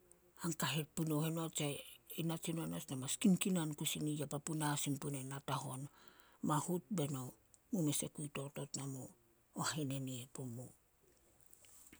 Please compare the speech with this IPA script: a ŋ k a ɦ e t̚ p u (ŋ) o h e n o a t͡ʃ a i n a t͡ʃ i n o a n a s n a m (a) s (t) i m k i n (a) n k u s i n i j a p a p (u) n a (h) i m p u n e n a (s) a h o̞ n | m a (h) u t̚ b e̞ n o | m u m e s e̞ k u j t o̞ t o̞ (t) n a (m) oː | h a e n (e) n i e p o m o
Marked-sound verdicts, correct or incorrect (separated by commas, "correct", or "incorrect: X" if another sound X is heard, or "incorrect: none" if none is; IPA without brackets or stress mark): incorrect: n, correct, incorrect: k, correct, correct, incorrect: s, incorrect: t, correct, correct, correct, correct